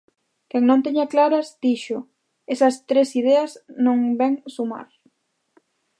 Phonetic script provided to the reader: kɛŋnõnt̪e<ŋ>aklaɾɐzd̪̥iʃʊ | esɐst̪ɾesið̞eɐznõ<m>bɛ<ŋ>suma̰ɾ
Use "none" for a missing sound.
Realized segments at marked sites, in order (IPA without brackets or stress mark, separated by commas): ɲ, ŋ, ŋ